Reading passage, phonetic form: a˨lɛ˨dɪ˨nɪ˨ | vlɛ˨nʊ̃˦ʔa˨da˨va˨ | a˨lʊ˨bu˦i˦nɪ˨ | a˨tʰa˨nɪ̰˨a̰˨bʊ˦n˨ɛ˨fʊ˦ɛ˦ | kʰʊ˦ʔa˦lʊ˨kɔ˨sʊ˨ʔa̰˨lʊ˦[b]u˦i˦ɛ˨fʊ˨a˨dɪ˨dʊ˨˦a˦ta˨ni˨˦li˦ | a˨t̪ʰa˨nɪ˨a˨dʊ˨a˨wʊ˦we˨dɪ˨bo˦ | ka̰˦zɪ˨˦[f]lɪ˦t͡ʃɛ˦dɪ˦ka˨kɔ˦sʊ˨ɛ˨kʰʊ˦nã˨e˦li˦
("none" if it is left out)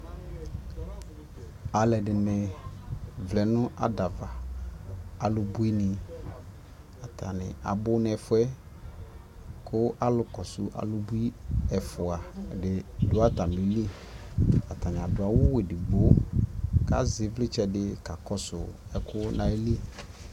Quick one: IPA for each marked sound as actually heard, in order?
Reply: b, v

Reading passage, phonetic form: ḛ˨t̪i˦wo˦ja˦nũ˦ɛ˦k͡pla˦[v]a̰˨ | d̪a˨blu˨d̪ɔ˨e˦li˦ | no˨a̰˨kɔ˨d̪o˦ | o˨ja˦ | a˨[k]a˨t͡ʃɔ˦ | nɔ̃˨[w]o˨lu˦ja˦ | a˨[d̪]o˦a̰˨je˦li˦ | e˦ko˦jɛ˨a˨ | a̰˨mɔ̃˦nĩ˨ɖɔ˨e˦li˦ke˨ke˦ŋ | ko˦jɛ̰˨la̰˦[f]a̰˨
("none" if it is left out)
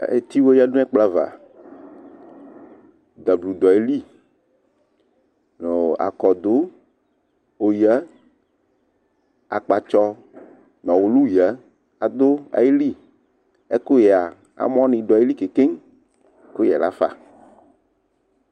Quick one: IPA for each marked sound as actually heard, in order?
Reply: v, k͡p, w, d̪, f

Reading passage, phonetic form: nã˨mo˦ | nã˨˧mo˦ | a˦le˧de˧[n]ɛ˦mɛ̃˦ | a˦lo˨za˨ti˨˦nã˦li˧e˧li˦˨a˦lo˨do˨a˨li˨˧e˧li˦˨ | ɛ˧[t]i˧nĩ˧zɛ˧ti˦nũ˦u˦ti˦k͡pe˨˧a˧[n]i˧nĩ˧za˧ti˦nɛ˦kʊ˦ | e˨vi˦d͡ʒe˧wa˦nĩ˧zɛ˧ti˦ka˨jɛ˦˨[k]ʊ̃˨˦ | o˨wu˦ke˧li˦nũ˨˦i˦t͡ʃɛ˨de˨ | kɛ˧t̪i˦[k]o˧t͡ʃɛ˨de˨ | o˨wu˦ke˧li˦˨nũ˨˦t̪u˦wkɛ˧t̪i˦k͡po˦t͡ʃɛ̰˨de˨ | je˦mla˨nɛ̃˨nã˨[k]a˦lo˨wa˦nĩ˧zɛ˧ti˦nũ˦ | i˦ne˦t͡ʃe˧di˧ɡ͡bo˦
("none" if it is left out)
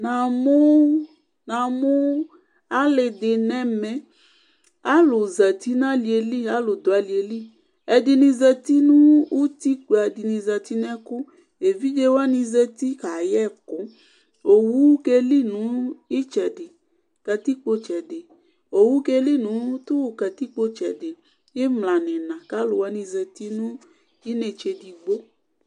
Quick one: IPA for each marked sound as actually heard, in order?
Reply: n, d, d, k, k͡p, k

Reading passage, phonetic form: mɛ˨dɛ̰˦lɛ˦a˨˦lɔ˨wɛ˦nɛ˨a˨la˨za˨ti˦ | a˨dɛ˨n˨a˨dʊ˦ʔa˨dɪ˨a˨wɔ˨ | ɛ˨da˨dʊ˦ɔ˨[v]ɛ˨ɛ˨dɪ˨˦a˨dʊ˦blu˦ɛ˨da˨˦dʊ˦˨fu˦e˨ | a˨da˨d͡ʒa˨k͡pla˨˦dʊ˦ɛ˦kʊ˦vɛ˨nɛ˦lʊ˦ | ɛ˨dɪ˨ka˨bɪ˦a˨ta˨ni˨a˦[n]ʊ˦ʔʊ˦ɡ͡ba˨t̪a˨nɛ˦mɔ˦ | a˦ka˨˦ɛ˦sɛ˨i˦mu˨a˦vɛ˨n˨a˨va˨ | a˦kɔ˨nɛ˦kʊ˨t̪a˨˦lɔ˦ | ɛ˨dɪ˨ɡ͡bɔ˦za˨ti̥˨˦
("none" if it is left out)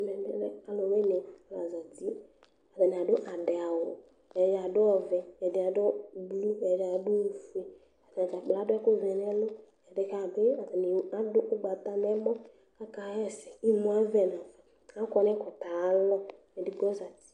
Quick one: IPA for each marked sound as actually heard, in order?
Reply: v, d

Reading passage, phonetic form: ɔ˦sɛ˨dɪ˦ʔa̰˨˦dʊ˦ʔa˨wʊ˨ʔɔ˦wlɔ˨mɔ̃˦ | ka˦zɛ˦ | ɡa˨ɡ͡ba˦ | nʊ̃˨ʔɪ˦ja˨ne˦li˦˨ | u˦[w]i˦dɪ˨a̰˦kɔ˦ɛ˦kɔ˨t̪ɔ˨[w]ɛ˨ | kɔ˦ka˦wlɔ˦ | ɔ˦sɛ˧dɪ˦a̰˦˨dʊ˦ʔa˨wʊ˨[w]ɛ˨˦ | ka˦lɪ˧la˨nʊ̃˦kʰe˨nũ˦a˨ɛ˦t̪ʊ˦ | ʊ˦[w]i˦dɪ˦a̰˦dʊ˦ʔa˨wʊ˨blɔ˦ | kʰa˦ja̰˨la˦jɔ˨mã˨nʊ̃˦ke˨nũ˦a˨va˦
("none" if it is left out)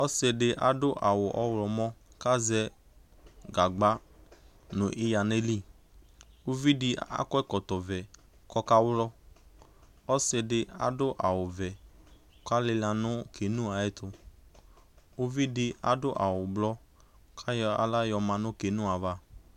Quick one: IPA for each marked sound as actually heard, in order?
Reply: v, v, v, v

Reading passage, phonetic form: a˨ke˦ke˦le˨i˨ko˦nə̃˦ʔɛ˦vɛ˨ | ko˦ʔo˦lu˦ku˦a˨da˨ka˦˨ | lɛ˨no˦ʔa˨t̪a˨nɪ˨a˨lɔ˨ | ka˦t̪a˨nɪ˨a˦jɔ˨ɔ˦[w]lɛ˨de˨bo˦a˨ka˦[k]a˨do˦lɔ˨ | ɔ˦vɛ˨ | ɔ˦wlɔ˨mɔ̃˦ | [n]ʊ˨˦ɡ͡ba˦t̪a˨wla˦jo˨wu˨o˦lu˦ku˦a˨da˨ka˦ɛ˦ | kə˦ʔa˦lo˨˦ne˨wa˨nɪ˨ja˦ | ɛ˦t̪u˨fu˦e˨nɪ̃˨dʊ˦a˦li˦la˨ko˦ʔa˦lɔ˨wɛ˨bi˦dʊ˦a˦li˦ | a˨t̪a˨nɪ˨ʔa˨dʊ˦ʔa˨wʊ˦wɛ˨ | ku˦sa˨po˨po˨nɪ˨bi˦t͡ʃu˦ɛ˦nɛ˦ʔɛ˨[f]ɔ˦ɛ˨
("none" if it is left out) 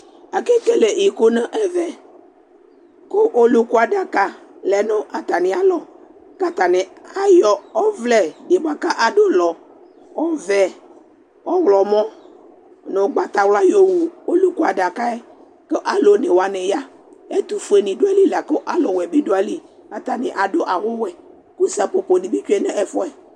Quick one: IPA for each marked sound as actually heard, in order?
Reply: v, ʔ, n, f

